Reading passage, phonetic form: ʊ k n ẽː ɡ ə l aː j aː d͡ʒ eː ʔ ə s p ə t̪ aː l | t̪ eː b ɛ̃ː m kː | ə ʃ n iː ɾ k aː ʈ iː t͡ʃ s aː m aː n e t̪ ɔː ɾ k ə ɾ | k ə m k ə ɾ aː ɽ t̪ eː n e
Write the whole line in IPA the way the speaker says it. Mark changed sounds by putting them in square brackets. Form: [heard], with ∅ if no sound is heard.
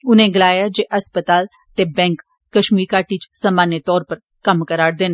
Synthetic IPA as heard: ʊ [∅] n ẽː ɡ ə l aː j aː d͡ʒ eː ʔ ə s p ə t̪ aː l | t̪ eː b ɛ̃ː [ŋ] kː | ə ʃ [m] iː ɾ k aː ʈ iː t͡ʃ s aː m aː n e t̪ ɔː ɾ [p] ə ɾ | k ə m k ə ɾ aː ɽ [d̪] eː n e